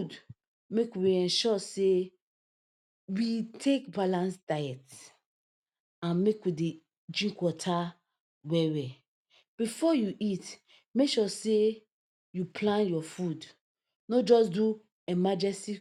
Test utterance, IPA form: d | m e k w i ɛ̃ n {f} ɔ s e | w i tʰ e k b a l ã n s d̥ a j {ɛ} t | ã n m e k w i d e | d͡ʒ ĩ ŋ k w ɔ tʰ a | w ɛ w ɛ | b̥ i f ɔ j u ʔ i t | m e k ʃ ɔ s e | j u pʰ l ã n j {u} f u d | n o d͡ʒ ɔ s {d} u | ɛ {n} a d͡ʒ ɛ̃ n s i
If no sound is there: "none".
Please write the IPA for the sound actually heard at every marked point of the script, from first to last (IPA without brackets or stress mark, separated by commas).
ʃ, ɛ, ɔ, d, m